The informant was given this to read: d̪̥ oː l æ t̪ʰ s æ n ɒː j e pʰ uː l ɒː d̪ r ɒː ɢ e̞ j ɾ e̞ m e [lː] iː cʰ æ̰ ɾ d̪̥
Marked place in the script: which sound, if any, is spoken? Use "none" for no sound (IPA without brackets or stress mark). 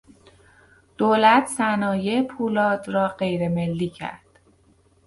lː